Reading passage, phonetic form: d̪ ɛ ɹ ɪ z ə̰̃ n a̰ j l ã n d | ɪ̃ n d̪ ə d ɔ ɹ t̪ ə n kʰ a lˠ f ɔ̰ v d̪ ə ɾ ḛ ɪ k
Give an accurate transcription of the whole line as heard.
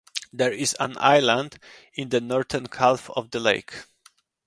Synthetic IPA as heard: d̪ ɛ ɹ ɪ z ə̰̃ n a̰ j l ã n d | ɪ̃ n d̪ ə n ɔ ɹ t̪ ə n kʰ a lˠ f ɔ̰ v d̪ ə l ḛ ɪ k